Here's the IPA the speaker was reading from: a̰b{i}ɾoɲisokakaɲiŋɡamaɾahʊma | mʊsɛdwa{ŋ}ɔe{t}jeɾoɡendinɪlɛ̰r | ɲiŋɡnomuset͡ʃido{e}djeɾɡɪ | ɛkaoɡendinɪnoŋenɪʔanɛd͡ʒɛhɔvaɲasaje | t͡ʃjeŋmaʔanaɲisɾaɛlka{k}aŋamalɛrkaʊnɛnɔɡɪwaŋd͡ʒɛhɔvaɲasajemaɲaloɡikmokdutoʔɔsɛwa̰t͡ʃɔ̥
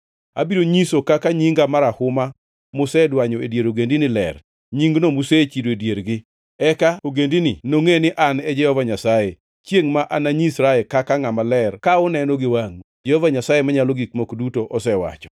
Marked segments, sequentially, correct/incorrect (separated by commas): correct, incorrect, incorrect, correct, correct